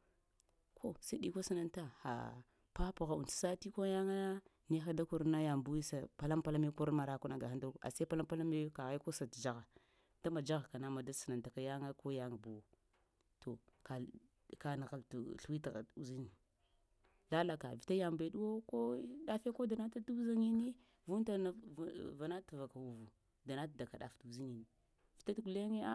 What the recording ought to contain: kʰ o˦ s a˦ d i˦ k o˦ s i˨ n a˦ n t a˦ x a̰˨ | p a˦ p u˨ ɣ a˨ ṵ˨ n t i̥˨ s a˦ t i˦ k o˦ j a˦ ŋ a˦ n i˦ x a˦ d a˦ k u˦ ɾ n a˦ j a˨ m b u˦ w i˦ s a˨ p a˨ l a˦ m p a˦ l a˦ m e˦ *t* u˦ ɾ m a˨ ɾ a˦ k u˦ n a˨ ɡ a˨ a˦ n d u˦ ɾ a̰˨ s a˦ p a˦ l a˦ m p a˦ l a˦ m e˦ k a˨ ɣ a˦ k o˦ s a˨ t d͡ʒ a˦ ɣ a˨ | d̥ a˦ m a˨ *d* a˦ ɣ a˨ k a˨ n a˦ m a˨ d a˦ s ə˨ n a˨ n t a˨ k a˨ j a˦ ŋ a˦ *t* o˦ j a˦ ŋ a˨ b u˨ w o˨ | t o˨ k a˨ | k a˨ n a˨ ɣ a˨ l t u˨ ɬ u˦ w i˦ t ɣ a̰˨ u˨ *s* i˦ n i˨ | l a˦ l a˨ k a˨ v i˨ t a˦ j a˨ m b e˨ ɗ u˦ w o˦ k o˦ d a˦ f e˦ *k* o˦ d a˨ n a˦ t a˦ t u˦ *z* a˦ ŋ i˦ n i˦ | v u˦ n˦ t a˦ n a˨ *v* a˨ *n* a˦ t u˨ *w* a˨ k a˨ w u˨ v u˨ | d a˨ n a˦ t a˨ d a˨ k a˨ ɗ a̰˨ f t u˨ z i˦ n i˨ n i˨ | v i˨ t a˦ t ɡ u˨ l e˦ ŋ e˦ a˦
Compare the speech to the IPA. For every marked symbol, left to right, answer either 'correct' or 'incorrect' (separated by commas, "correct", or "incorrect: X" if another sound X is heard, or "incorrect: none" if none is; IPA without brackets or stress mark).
incorrect: k, incorrect: d͡ʒ, incorrect: k, incorrect: z, correct, correct, correct, correct, incorrect: v